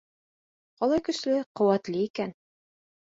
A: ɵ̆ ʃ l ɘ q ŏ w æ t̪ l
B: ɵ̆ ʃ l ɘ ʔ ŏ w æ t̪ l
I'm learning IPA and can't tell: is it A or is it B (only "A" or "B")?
A